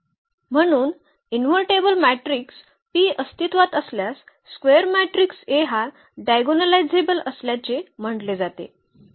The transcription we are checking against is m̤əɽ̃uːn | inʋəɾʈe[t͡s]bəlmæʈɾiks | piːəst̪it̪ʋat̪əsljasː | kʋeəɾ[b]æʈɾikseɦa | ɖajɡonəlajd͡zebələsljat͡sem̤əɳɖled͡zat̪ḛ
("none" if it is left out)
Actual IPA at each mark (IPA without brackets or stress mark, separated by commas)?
none, m